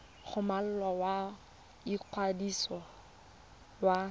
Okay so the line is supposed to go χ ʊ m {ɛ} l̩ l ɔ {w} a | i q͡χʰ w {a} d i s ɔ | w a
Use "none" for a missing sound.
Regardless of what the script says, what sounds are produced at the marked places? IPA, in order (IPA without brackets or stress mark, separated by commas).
a, w, a